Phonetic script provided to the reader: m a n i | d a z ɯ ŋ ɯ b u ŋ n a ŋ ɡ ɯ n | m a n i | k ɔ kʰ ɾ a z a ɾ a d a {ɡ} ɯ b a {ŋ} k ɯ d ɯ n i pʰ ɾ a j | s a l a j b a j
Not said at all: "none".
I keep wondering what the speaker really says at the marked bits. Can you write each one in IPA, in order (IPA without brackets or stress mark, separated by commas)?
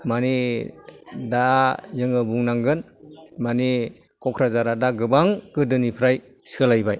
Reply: ɡ, ŋ